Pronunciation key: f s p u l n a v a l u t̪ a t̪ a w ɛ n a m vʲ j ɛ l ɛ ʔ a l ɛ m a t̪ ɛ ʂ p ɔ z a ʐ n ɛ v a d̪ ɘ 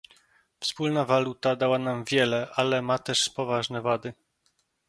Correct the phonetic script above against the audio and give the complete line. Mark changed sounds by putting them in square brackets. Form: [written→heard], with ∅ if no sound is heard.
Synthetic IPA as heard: f s p u l n a v a l u t̪ a [t̪→d̪] a w [ɛ→a] n a m vʲ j ɛ l ɛ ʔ a l ɛ m a t̪ ɛ ʂ p ɔ [z→v] a ʐ n ɛ v a d̪ ɘ